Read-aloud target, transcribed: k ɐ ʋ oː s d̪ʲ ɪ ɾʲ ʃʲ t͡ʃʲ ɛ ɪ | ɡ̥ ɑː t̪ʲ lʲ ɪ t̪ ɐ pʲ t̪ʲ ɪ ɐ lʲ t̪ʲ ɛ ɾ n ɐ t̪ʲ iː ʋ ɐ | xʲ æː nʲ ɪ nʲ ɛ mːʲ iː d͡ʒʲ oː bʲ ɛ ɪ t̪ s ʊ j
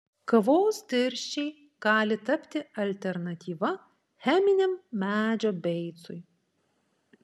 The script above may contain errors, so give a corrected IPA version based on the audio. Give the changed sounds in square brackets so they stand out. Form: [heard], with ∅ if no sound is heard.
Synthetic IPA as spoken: k ɐ ʋ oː s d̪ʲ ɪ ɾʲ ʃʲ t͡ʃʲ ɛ ɪ | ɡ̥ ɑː [∅] lʲ ɪ t̪ ɐ pʲ t̪ʲ ɪ ɐ lʲ t̪ʲ ɛ ɾ n ɐ t̪ʲ iː ʋ ɐ | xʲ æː [mʲ] ɪ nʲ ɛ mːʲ [æː] d͡ʒʲ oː bʲ ɛ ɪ t̪ s ʊ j